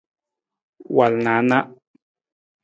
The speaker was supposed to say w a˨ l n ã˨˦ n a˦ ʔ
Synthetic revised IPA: w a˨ l n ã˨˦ n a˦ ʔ

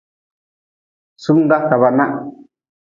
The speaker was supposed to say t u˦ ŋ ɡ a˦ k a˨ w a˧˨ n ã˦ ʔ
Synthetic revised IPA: s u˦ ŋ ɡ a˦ k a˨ β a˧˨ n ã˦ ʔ

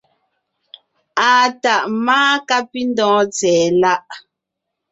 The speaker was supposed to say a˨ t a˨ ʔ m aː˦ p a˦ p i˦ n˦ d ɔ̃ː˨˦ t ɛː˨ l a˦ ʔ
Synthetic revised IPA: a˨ t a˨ ʔ m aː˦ k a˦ p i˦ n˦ d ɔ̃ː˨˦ t͡s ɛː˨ l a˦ ʔ

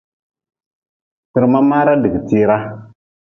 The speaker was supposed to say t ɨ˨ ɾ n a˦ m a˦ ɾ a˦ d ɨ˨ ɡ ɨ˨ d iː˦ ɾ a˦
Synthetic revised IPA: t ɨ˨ ɾ m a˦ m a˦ ɾ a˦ d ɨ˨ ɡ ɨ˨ t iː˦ ɾ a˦

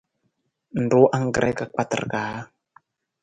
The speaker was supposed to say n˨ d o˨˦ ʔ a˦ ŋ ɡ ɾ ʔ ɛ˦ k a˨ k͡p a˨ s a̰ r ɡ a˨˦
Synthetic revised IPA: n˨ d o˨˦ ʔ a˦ ŋ ɡ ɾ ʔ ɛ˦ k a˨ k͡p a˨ t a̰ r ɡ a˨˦

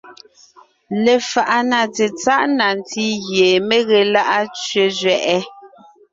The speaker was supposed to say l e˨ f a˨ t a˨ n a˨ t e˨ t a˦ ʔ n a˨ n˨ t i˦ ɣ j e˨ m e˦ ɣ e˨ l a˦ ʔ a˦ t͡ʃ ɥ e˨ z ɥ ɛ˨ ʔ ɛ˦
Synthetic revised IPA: l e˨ f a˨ ʔ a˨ n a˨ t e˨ t͡s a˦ ʔ n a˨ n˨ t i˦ ɣ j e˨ m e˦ ɣ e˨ l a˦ ʔ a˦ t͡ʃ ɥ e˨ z ɥ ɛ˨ ʔ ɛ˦

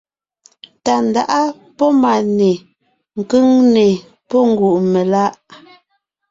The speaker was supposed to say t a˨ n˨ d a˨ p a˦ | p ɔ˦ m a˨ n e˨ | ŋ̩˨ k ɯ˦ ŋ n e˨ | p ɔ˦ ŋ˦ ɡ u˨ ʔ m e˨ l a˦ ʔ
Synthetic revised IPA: t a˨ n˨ d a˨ ʔ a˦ | p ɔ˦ m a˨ n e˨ | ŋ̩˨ k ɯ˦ ŋ n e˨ | p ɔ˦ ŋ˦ ɡ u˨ ʔ m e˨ l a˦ ʔ

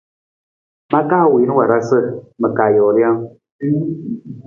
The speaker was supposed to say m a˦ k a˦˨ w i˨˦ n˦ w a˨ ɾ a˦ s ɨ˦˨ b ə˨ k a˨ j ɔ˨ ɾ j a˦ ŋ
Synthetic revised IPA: m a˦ k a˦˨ w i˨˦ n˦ w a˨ ɾ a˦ s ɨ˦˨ m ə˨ k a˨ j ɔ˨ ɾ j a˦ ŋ

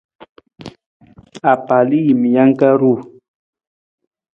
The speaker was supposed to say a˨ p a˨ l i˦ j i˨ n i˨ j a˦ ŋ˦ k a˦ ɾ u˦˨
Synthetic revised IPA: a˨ p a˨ l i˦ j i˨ m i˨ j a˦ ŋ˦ k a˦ ɾ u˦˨

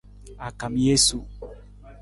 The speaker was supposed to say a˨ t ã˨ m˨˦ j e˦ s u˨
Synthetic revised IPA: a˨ k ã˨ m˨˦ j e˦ s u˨

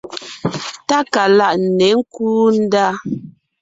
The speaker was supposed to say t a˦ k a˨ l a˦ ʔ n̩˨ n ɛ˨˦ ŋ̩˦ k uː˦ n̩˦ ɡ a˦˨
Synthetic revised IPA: t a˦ k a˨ l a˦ ʔ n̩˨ n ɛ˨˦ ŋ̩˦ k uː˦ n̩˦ d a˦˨

